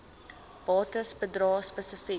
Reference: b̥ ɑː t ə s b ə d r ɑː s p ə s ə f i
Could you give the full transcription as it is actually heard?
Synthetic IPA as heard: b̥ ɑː t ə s b ə d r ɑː s p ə s ə f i